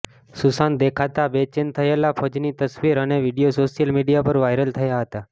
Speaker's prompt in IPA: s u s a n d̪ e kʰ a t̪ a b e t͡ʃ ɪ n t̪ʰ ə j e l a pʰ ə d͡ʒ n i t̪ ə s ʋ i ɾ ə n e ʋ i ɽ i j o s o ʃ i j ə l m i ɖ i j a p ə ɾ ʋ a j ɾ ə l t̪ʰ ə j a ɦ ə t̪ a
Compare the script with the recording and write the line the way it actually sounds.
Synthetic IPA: s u s a n d̪ e kʰ a t̪ a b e t͡ʃ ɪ n t̪ʰ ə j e l a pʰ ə d͡ʒ n i t̪ ə s ʋ i ɾ ə n e ʋ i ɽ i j o s o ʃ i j ə l m i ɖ i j a p ə ɾ ʋ a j ɾ ə l t̪ʰ ə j a ɦ ə t̪ a